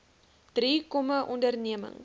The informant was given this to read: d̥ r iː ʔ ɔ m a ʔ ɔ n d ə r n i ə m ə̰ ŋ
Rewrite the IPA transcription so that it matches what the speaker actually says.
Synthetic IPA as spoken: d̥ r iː k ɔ m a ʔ ɔ n d ə r n i ə m ə̰ ŋ